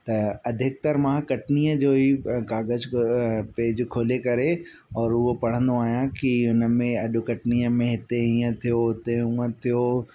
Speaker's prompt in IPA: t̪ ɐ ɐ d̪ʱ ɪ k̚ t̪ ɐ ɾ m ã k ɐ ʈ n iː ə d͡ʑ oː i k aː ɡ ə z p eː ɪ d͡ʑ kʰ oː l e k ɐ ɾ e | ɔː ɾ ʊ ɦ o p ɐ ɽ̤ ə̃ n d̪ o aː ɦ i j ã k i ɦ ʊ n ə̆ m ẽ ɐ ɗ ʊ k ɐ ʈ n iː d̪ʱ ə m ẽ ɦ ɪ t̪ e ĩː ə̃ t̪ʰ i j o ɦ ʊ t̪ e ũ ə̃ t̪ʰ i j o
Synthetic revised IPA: t̪ ɐ ɐ d̪ʱ ɪ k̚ t̪ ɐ ɾ m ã k ɐ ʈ n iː ə d͡ʑ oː i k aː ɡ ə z p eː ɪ d͡ʑ kʰ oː l e k ɐ ɾ e | ɔː ɾ ʊ ɦ o p ɐ ɽ̤ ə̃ n d̪ o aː ɦ i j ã k i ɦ ʊ n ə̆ m ẽ ɐ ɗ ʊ k ɐ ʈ n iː ə m ẽ ɦ ɪ t̪ e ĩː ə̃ t̪ʰ i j o ɦ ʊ t̪ e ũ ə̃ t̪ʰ i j o